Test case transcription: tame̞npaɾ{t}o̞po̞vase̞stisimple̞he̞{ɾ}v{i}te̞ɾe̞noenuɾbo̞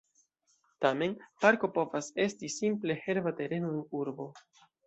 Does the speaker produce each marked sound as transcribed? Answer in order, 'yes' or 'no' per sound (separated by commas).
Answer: no, yes, no